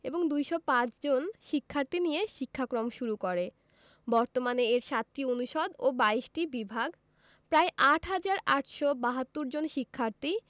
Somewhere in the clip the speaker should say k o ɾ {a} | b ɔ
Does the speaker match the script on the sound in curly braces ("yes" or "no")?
no